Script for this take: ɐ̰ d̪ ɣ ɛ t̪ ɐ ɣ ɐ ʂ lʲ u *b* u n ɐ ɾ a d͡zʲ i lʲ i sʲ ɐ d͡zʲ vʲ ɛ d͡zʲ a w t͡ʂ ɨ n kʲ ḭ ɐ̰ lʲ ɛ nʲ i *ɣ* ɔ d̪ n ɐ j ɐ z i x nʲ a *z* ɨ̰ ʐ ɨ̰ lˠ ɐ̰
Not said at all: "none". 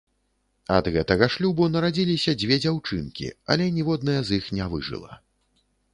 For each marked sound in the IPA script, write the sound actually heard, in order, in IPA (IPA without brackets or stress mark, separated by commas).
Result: b, v, v